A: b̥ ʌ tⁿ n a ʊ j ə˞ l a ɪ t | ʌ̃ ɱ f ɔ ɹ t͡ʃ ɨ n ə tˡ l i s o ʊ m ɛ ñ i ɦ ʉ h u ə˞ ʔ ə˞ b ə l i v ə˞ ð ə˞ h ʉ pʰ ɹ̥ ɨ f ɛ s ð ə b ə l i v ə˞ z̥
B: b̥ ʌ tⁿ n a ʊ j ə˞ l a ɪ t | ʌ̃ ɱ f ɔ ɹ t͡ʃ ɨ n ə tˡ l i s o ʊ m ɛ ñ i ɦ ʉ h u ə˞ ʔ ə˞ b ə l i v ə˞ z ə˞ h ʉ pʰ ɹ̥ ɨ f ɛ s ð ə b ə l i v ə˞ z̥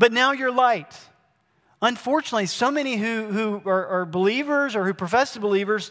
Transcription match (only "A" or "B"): B